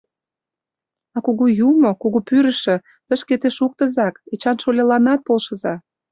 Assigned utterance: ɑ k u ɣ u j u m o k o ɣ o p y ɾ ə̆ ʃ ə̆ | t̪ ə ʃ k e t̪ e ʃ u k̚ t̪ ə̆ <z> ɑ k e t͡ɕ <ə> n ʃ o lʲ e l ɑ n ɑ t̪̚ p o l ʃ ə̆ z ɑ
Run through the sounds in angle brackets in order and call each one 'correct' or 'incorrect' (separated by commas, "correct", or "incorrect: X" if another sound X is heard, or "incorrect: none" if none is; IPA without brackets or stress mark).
correct, incorrect: ɑ